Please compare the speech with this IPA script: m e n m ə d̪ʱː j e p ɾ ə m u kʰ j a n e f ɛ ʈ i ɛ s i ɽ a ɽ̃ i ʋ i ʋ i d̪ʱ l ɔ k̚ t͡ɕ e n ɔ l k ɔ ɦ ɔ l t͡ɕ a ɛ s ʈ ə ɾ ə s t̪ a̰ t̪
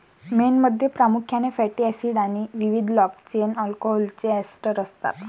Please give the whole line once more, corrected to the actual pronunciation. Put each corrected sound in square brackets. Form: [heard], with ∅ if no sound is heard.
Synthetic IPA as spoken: m e n m ə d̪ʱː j e p ɾ [a] m u kʰ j a n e f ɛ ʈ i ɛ s i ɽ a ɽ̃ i ʋ i ʋ i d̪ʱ l ɔ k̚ t͡ɕ e n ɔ l k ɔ ɦ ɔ l t͡ɕ [e] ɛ s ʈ ə ɾ ə s t̪ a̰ t̪